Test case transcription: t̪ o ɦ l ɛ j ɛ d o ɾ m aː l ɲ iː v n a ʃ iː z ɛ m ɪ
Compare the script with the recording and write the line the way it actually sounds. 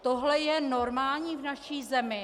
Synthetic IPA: t̪ o ɦ l ɛ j ɛ n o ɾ m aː l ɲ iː v n a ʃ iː z ɛ m ɪ